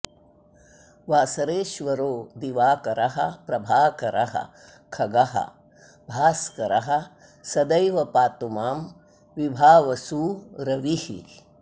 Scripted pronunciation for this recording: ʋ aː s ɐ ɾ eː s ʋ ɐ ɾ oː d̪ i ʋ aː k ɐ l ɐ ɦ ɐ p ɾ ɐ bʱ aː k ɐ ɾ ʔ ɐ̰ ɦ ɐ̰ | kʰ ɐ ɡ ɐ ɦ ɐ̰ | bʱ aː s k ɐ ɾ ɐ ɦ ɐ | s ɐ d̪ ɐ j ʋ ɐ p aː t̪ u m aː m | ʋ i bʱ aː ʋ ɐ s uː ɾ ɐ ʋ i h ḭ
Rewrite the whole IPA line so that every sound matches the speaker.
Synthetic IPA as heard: ʋ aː s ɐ ɾ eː ʃ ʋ ɐ ɾ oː d̪ i ʋ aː k ɐ ɾ ɐ ɦ ɐ p ɾ ɐ bʱ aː k ɐ ɾ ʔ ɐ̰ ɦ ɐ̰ | kʰ ɐ ɡ ɐ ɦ ɐ̰ | bʱ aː s k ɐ ɾ ɐ ɦ ɐ | s ɐ d̪ ɐ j ʋ ɐ p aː t̪ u m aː m | ʋ i bʱ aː ʋ ɐ s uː ɾ ɐ ʋ i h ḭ